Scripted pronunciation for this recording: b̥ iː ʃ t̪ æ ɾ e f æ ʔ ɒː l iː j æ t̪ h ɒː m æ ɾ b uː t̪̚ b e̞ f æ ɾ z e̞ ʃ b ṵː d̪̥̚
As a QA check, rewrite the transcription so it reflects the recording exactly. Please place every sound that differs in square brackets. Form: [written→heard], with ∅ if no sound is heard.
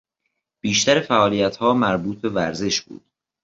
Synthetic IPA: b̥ iː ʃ t̪ æ ɾ e f æ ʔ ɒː l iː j æ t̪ h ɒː m æ ɾ b uː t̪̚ b e̞ [f→v] æ ɾ z e̞ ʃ b ṵː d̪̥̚